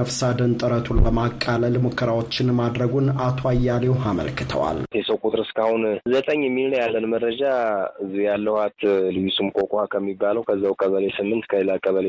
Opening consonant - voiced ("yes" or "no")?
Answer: no